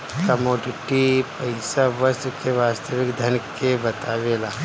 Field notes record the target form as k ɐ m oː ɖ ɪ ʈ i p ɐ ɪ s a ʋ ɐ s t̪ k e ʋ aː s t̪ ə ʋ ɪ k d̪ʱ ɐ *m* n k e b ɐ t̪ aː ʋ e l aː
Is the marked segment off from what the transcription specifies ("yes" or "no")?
yes